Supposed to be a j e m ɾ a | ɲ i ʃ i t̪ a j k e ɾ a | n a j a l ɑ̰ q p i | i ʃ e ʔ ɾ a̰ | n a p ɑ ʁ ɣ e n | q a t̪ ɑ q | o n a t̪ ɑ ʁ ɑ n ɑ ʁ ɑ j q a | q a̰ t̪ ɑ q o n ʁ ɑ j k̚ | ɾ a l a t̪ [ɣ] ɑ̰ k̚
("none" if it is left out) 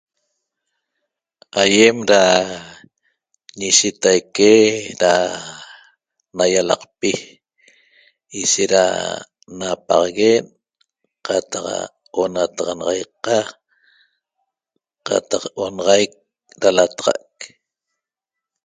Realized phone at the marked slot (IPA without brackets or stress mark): ʁ